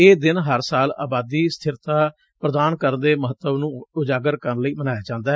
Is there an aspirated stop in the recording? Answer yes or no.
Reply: yes